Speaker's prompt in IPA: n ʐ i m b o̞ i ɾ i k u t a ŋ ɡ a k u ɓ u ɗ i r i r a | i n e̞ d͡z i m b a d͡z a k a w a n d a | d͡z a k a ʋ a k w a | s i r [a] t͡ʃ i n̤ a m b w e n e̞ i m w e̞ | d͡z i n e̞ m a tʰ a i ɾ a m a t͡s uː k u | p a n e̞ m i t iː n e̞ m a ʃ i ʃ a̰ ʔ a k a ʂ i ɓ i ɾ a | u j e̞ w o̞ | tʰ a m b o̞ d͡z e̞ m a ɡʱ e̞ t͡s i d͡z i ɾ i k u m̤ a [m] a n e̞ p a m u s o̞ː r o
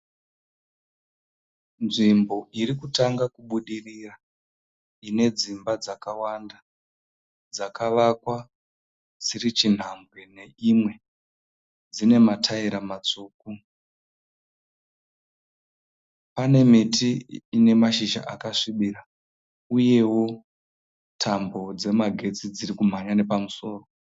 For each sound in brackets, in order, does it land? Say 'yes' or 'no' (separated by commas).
no, no